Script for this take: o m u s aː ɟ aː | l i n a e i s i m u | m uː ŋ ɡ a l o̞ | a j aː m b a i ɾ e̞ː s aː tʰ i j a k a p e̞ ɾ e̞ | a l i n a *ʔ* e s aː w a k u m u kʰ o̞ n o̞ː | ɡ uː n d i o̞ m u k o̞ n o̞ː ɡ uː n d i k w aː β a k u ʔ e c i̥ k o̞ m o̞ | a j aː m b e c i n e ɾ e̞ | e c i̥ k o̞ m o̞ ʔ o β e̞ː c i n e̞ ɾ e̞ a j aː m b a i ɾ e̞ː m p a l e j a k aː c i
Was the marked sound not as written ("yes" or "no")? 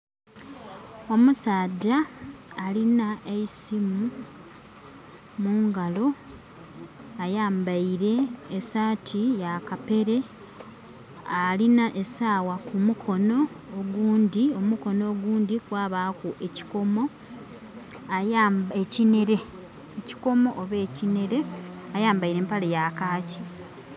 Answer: no